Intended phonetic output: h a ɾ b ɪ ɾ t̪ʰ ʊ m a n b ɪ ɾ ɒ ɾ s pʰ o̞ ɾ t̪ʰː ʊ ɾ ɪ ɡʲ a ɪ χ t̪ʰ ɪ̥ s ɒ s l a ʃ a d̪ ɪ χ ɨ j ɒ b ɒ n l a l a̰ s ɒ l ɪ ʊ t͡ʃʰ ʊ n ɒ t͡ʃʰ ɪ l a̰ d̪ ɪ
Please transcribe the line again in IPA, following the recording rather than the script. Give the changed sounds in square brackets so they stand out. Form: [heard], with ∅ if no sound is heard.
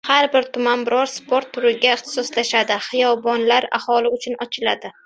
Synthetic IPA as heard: h a ɾ b ɪ ɾ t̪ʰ ʊ m a n b ɪ ɾ ɒ ɾ s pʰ o̞ ɾ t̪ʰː ʊ ɾ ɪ ɡʲ a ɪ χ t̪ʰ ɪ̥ s ɒ s l a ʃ a d̪ ɪ χ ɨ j ɒ b ɒ n l a [ɾ] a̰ [h] ɒ l ɪ ʊ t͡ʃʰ ʊ n ɒ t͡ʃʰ ɪ l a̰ d̪ ɪ